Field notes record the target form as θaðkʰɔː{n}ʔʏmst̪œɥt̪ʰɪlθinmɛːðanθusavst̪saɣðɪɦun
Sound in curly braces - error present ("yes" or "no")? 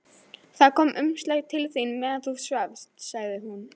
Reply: yes